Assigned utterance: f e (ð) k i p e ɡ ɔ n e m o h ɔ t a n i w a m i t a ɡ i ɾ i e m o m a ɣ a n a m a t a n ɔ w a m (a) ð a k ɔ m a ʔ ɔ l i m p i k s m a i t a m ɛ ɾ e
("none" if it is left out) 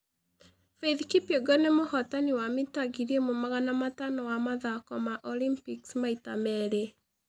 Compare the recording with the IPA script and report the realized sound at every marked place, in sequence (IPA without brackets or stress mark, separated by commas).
ð, a